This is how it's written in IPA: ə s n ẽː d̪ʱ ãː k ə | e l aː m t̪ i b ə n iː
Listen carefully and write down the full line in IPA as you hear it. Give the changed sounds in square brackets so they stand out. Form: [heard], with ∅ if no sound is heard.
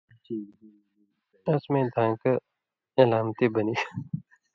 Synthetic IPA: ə s [m] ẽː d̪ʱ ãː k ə | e l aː m t̪ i b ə n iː